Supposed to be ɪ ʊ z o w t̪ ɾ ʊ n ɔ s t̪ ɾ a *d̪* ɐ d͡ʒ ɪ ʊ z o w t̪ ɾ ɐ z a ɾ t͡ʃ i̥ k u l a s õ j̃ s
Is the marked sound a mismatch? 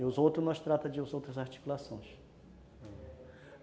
yes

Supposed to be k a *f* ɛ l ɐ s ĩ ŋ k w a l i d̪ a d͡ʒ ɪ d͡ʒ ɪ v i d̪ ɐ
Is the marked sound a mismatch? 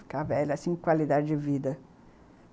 yes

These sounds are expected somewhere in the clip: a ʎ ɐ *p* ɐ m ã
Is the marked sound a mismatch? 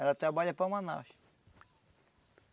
no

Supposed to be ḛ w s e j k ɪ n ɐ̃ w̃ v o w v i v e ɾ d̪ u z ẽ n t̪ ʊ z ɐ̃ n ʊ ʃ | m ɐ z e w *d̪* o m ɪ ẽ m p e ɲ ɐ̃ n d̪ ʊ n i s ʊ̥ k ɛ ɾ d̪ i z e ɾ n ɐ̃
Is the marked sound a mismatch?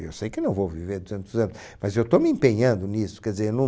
yes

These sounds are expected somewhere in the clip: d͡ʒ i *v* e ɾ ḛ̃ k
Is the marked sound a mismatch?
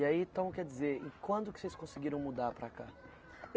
yes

